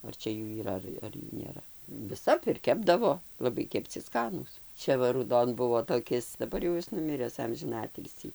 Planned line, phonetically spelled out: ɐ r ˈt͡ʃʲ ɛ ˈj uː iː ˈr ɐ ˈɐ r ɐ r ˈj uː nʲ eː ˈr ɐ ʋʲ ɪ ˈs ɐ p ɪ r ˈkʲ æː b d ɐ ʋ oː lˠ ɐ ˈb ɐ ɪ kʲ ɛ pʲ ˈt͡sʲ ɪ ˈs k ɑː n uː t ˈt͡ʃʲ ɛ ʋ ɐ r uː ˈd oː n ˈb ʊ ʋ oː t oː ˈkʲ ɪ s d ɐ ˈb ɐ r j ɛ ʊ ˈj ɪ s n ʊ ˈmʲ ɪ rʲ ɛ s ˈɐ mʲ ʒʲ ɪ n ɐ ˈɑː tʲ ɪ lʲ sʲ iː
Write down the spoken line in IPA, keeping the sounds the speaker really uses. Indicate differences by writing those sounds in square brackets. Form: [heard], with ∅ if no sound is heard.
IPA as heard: ɐ r ˈt͡ʃʲ ɛ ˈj uː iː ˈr ɐ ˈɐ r ɐ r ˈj uː nʲ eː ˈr ɐ ʋʲ ɪ ˈs ɐ p ɪ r ˈkʲ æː b d ɐ ʋ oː lˠ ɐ ˈb ɐ ɪ kʲ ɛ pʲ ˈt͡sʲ ɪ ˈs k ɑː n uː [s] ˈt͡ʃʲ ɛ ʋ ɐ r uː ˈd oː n ˈb ʊ ʋ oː t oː ˈkʲ ɪ s d ɐ ˈb ɐ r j ɛ ʊ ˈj ɪ s n ʊ ˈmʲ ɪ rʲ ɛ s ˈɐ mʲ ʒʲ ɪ n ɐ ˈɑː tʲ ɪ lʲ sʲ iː